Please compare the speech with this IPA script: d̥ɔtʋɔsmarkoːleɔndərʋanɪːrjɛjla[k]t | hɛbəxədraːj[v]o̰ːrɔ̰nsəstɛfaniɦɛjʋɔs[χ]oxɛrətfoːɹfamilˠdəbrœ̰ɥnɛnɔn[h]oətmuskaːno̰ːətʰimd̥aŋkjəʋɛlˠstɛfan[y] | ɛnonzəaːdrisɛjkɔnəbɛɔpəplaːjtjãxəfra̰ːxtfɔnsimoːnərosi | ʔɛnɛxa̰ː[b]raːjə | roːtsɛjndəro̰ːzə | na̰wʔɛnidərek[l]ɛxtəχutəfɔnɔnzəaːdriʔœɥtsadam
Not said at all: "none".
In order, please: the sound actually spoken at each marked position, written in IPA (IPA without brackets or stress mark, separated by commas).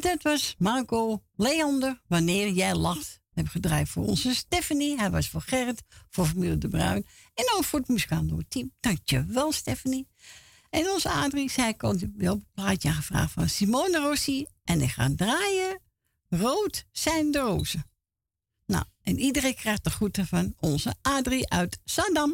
x, f, f, f, i, d, r